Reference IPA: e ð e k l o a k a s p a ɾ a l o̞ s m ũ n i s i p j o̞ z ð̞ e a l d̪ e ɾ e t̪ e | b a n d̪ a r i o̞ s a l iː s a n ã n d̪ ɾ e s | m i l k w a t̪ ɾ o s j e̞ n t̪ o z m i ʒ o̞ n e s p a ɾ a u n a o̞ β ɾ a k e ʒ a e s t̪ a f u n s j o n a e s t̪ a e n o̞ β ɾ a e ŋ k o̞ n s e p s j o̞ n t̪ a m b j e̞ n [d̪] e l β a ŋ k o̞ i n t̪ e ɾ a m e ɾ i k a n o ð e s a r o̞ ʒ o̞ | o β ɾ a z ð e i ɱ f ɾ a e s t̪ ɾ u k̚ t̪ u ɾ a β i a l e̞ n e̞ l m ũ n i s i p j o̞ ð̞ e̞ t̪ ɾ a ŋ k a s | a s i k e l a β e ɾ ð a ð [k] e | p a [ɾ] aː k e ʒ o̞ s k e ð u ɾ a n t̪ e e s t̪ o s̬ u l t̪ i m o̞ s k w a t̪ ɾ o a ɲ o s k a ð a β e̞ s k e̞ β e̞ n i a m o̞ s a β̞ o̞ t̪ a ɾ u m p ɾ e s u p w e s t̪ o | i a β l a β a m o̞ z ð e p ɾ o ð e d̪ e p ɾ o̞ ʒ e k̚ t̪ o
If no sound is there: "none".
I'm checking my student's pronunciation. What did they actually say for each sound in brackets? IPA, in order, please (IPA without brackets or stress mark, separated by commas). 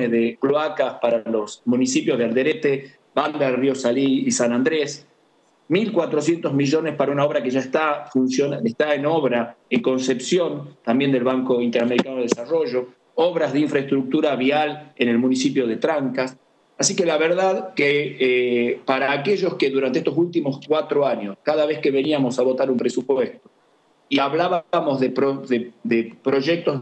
d̪, k, ɾ